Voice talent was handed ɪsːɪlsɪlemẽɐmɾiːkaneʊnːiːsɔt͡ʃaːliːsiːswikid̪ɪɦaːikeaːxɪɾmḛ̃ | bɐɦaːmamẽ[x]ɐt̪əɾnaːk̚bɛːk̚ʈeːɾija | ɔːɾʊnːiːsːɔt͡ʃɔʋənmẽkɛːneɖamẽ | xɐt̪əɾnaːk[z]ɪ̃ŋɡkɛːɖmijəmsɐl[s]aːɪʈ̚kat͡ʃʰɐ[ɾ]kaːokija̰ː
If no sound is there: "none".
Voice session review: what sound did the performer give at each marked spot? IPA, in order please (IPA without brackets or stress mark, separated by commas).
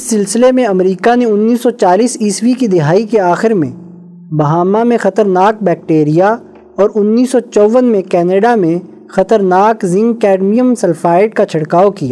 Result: x, z, f, ɽ